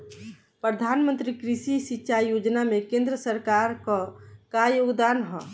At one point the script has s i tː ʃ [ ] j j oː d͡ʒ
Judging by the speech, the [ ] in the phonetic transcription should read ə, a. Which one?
a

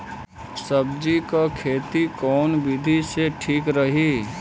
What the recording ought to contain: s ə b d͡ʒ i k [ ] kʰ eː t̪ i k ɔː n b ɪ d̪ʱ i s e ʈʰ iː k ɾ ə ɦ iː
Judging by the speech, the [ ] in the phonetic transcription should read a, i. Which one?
a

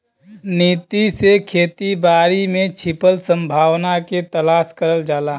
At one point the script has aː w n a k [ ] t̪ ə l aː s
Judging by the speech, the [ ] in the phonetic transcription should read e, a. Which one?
e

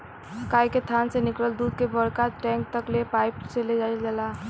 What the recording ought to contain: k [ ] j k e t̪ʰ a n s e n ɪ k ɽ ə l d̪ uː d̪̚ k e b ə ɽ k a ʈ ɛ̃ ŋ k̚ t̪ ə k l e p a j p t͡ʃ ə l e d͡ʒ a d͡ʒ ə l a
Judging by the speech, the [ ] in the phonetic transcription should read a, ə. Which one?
a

